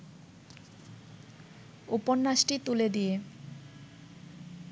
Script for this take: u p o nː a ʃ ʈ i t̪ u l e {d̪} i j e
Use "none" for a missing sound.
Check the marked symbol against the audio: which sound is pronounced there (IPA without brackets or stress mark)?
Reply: d̪